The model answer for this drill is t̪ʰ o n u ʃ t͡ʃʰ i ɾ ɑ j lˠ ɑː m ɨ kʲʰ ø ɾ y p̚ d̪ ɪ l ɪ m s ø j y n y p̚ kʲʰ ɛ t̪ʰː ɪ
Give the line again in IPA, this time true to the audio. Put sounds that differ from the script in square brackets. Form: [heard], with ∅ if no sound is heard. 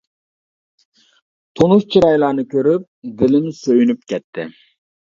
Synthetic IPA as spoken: t̪ʰ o n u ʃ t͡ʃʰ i ɾ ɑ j lˠ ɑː [n] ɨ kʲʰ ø ɾ y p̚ d̪ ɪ l ɪ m s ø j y n y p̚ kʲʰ ɛ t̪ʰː ɪ